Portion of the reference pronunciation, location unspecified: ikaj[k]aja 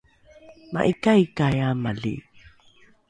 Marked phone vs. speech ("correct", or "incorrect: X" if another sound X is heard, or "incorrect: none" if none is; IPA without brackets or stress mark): correct